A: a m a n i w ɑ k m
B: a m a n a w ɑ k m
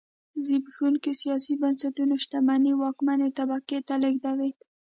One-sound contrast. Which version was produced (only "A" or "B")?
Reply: A